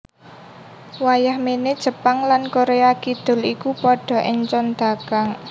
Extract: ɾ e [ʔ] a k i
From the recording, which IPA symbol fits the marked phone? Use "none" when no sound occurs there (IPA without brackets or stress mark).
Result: none